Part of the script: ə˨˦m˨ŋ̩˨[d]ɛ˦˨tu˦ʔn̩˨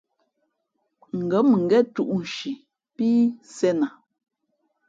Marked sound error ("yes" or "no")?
yes